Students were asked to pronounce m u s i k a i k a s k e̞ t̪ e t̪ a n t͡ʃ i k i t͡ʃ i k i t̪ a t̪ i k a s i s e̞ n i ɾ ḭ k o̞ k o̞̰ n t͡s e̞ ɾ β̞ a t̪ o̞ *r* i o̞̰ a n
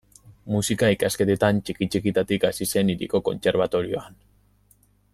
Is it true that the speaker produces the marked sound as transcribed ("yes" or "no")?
no